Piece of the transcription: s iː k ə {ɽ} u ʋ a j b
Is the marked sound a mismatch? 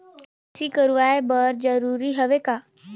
yes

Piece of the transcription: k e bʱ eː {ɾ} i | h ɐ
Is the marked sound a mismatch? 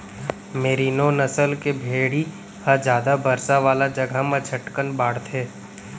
yes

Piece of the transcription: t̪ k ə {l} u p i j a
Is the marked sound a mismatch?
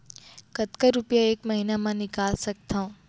yes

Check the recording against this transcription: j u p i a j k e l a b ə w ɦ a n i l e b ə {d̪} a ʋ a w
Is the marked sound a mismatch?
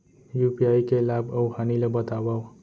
yes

